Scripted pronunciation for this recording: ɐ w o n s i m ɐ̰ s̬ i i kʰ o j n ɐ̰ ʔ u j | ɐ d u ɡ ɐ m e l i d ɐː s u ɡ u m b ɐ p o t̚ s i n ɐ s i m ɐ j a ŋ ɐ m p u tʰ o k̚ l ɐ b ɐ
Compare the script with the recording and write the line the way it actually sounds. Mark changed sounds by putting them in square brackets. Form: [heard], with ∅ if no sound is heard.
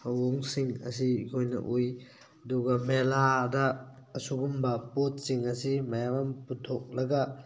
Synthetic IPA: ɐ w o [ŋ] s i [ŋ] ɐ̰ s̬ i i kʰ o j n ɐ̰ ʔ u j | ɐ d u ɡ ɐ m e l [a] d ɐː s u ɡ u m b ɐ p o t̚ s i [ŋ] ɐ s i m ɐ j a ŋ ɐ m p u tʰ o k̚ l ɐ [ɡ] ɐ

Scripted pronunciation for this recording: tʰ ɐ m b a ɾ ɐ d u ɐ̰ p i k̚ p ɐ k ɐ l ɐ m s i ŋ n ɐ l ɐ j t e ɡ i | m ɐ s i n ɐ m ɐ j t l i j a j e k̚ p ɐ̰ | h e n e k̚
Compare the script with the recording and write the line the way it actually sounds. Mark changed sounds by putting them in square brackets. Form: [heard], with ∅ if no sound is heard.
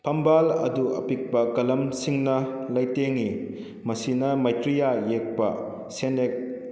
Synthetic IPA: [pʰ] ɐ m b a [l] ɐ d u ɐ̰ p i k̚ p ɐ k ɐ l ɐ m s i ŋ n ɐ l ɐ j t e [ŋ] i | m ɐ s i n ɐ m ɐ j t [ɾ] i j a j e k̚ p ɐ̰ | [s] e n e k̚

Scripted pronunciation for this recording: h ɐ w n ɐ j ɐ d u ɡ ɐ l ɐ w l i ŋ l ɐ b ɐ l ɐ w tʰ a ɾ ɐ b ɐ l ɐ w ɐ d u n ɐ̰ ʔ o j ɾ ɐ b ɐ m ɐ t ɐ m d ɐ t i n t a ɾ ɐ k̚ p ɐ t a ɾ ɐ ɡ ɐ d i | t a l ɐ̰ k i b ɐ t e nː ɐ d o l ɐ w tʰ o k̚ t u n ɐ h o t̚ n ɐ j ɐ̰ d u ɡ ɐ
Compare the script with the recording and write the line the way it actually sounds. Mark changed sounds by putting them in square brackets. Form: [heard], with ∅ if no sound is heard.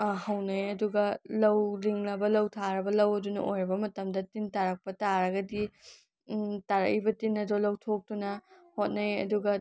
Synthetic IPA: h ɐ w n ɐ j ɐ d u ɡ ɐ l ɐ w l i ŋ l ɐ b ɐ l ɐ w tʰ a ɾ ɐ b ɐ l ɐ w ɐ d u n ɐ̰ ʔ o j ɾ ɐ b ɐ m ɐ t ɐ m d ɐ t i n t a ɾ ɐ k̚ p ɐ t a ɾ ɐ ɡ ɐ d i | t a [ɾ] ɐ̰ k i b ɐ t [i] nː ɐ d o l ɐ w tʰ o k̚ t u n ɐ h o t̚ n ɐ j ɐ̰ d u ɡ ɐ

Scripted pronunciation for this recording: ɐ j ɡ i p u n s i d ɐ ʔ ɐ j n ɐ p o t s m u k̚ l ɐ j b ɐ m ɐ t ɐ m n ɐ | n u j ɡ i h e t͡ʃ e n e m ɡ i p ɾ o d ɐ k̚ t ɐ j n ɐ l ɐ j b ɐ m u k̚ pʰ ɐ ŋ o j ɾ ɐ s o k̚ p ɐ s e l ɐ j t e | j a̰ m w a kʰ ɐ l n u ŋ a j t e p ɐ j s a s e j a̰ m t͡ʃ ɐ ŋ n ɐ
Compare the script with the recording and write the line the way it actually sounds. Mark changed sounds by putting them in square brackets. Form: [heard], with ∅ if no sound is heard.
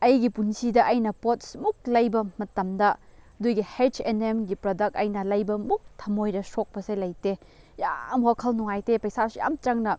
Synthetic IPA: ɐ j ɡ i p u n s i d ɐ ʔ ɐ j n ɐ p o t s m u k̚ l ɐ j b ɐ m ɐ t ɐ m [d] ɐ | [d] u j ɡ i h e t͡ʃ e n e m ɡ i p ɾ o d ɐ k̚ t ɐ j n ɐ l ɐ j b ɐ m u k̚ [tʰ] ɐ [m] o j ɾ ɐ s o k̚ p ɐ s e l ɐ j t e | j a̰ m w a kʰ ɐ l n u ŋ a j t e p ɐ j s a s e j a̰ m t͡ʃ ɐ ŋ n ɐ

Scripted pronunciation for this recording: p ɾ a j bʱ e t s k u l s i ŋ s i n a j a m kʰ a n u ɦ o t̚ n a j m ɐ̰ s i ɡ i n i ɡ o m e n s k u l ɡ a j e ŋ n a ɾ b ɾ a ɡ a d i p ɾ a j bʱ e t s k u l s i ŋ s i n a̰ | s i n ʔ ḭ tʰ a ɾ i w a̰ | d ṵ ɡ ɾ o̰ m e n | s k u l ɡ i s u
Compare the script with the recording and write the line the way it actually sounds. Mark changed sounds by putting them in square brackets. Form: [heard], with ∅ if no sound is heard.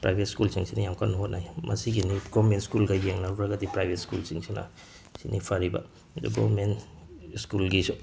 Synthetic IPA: p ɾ a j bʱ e t s k u l s i ŋ s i n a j a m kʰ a n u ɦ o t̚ n a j m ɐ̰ s i ɡ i n i ɡ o m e n s k u l ɡ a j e ŋ n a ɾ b ɾ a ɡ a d i p ɾ a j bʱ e t s k u l s i ŋ s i n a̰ | s i n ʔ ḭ [pʰ] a ɾ i [b] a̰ | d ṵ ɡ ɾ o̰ m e n | s k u l ɡ i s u

